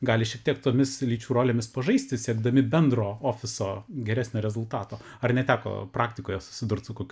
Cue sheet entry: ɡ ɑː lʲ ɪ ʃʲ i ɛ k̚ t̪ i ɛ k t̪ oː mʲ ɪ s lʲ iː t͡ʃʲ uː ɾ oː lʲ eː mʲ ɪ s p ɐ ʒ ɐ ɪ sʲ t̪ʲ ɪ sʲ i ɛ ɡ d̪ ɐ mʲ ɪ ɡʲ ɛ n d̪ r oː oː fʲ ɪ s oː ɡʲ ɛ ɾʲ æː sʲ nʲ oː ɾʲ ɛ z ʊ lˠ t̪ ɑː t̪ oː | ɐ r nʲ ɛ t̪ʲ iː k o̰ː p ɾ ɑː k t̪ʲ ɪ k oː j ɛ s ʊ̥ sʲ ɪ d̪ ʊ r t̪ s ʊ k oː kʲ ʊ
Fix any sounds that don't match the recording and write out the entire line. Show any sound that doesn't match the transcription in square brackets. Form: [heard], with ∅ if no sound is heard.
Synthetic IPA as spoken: ɡ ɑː lʲ ɪ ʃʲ i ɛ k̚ t̪ i ɛ k t̪ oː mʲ ɪ s lʲ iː t͡ʃʲ uː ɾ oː lʲ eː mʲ ɪ s p ɐ ʒ ɐ ɪ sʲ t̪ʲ ɪ sʲ i ɛ ɡ d̪ ɐ mʲ ɪ [bʲ] ɛ n d̪ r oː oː fʲ ɪ s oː ɡʲ ɛ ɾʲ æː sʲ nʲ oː ɾʲ ɛ z ʊ lˠ t̪ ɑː t̪ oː | ɐ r nʲ ɛ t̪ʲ [æː] k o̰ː p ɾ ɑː k t̪ʲ ɪ k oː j ɛ s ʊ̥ sʲ ɪ d̪ ʊ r t̪ s ʊ k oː kʲ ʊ